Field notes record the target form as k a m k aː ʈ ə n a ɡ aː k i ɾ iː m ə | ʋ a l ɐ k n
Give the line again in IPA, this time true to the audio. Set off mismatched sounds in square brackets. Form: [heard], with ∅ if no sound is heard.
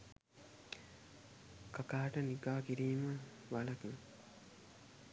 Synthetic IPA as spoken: k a [∅] k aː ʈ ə n [i] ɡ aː k i ɾ iː m ə | ʋ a l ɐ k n